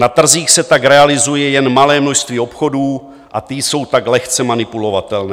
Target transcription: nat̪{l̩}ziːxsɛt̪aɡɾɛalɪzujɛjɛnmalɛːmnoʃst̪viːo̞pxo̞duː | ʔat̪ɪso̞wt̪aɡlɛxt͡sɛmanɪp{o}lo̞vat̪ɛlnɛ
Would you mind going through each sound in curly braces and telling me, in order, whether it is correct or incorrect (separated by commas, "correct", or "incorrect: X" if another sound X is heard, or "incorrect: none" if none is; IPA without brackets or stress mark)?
incorrect: r̩, incorrect: u